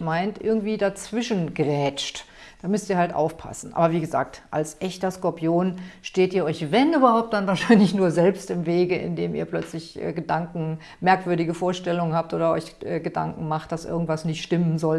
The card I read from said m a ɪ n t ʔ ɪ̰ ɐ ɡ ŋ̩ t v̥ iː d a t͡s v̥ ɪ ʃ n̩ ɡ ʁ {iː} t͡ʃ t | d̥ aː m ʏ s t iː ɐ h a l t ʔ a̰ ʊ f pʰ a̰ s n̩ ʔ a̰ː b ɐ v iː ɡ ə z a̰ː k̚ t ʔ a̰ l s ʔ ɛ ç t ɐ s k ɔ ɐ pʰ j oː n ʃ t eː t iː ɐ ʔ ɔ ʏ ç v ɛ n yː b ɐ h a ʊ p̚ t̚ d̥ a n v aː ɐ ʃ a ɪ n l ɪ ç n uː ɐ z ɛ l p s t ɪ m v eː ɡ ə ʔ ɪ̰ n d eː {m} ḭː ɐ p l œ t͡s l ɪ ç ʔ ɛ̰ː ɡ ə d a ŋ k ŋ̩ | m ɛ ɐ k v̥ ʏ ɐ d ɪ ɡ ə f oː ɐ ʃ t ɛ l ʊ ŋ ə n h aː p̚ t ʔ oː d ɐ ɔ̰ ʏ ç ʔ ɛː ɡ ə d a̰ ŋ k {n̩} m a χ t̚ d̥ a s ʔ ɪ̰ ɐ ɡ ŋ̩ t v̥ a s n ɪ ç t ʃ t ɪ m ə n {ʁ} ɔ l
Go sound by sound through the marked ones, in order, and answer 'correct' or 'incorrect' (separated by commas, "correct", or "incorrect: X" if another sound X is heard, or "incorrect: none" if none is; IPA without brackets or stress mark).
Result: incorrect: ɛː, correct, incorrect: ŋ̩, incorrect: z